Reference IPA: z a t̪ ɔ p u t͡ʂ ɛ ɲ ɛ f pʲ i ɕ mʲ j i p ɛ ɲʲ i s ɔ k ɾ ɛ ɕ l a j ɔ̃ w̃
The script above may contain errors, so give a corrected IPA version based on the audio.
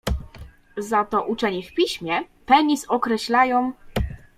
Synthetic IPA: z a t̪ ɔ ʔ u t͡ʂ ɛ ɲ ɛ f pʲ i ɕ mʲ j ɛ p ɛ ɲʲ i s ɔ k ɾ ɛ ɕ l a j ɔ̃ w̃